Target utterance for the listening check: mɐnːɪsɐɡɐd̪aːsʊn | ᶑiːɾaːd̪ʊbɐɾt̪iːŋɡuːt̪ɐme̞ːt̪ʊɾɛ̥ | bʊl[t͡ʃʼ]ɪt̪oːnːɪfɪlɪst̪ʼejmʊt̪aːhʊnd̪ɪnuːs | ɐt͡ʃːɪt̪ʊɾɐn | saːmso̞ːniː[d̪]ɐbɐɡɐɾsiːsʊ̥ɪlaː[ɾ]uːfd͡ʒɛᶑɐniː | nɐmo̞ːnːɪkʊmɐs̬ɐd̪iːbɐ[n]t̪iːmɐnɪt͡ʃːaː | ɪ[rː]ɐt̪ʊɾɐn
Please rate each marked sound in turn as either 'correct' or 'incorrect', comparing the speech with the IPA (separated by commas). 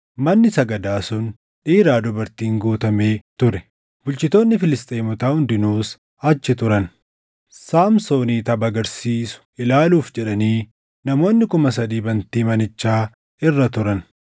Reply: incorrect, incorrect, incorrect, correct, correct